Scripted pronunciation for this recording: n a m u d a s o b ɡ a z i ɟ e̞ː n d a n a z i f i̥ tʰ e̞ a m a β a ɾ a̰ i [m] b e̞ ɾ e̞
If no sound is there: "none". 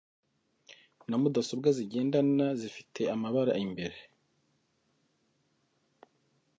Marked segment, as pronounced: m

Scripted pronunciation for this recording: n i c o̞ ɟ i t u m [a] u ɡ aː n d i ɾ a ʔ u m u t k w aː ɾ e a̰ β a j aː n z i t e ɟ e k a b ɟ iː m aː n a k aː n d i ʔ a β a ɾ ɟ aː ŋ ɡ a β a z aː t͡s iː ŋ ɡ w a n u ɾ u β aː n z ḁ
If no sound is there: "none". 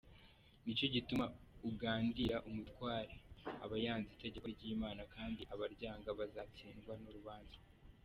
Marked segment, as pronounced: a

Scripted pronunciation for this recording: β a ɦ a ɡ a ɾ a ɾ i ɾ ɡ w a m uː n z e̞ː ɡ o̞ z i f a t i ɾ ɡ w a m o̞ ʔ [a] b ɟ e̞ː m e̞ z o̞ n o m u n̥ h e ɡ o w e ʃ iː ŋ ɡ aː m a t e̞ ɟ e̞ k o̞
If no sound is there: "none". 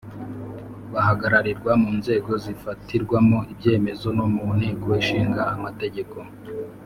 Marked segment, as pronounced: i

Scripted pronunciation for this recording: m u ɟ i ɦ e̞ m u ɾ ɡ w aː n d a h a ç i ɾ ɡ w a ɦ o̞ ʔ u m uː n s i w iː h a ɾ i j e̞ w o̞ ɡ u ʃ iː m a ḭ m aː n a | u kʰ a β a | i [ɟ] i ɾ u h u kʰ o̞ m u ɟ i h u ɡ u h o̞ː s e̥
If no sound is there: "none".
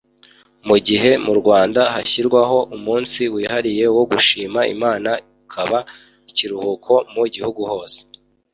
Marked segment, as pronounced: c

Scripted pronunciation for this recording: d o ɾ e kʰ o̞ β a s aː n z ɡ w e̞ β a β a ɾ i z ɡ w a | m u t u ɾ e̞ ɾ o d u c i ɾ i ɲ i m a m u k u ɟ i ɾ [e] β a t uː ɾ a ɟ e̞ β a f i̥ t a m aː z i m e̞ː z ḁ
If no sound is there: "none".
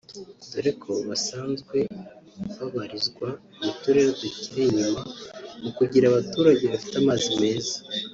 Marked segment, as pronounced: a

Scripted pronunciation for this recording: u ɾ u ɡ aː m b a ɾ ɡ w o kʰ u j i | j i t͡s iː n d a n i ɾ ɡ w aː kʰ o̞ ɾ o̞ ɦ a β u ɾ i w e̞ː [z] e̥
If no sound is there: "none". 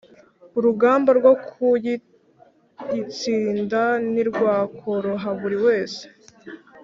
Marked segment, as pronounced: s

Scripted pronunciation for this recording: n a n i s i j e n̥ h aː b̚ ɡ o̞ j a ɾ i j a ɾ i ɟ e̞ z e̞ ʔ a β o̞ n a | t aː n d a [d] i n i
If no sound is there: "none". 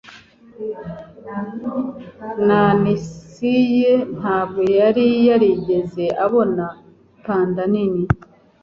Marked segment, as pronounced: n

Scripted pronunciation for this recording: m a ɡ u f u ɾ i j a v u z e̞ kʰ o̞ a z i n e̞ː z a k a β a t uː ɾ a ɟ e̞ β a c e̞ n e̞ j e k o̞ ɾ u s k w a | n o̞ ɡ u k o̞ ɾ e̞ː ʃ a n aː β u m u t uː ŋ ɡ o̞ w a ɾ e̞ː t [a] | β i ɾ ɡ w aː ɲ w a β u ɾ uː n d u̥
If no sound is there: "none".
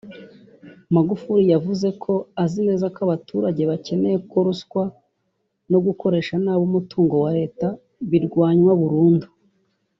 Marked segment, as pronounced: a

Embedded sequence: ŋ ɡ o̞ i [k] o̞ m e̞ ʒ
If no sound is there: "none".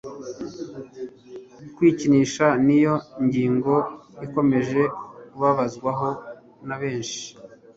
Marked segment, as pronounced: k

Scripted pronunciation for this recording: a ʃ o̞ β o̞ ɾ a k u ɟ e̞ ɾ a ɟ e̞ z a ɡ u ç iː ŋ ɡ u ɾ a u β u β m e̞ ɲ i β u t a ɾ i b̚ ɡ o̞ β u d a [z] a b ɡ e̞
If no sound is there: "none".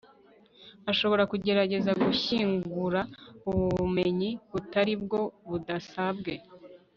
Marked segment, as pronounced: s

